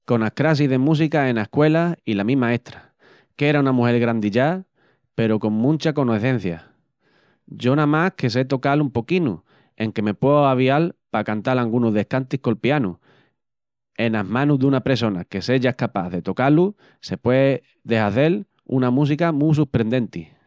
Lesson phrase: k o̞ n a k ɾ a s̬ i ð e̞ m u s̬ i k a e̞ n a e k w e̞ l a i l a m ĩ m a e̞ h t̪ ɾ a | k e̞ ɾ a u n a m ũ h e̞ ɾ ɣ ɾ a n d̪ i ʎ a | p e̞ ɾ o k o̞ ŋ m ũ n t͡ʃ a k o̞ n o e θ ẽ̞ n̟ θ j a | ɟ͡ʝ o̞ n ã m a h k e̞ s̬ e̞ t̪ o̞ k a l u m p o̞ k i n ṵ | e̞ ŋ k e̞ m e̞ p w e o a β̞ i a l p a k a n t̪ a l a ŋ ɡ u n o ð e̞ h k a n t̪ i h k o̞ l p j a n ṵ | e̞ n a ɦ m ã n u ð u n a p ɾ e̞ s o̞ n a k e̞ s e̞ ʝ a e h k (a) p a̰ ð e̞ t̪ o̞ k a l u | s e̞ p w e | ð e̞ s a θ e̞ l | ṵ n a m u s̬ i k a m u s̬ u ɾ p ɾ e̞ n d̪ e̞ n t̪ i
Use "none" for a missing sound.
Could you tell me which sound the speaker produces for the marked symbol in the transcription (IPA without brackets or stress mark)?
a